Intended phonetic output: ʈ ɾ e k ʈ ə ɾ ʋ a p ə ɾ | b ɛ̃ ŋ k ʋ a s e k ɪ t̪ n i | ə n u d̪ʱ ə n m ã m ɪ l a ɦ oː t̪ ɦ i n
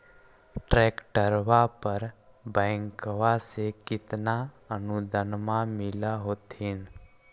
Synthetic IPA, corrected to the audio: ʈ ɾ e k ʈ ə ɾ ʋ a p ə ɾ | b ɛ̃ ŋ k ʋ a s e k ɪ t̪ n a | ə n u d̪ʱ ə n m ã m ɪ l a ɦ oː t̪ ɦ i n